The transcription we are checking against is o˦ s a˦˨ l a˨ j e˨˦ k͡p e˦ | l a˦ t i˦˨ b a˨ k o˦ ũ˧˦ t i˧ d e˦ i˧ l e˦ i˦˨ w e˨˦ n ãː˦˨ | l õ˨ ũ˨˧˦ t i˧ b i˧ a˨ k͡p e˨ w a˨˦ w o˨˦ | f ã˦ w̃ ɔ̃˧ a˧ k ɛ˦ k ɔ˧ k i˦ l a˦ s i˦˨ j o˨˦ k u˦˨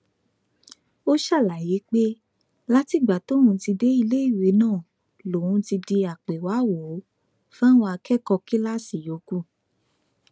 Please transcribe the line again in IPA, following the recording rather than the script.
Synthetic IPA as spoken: o˦ ʃ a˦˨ l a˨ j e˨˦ k͡p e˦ | l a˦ t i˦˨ ɡ͡b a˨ t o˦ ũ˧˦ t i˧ d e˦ i˧ l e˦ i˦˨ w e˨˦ n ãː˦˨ | l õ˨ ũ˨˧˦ t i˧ d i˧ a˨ k͡p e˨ w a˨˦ w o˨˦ | f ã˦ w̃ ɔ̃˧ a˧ k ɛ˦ k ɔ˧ k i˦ l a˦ s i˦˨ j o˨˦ k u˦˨